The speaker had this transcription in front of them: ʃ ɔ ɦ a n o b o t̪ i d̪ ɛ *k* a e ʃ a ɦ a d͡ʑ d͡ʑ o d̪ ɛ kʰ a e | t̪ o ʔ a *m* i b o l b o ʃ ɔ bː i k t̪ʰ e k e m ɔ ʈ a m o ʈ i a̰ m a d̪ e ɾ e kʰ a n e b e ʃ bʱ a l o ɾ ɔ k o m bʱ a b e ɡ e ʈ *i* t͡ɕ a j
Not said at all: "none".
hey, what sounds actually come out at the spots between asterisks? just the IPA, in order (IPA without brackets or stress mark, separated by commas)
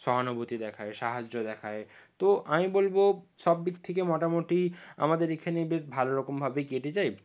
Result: kʰ, m, e